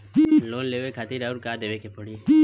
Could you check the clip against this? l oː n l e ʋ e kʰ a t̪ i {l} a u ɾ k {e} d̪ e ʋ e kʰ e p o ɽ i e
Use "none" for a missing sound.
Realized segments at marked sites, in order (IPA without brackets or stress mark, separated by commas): ɾ, a